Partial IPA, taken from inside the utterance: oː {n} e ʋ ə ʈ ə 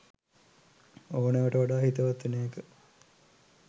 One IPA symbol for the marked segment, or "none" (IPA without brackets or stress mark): n